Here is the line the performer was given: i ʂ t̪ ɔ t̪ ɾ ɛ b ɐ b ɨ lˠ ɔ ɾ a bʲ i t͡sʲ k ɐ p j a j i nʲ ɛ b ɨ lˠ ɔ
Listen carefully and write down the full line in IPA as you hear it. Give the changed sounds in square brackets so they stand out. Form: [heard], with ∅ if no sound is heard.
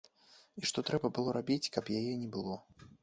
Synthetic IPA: i ʂ t̪ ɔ t̪ ɾ ɛ b ɐ b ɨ lˠ ɔ ɾ a bʲ i t͡sʲ k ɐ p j a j [ɛ] nʲ ɛ b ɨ lˠ ɔ